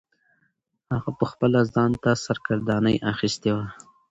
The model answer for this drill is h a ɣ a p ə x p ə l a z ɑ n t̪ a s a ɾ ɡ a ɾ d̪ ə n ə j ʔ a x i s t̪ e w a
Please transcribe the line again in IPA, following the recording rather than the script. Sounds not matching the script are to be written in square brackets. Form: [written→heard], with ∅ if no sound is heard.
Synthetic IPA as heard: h a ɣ a p ə x p ə l a z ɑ n t̪ a s a ɾ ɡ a ɾ d̪ [ə→ɑ] n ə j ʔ a x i s t̪ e w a